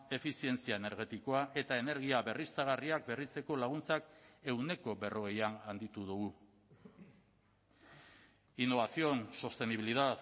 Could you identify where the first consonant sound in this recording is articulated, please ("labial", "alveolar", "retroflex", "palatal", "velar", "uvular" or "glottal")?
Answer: labial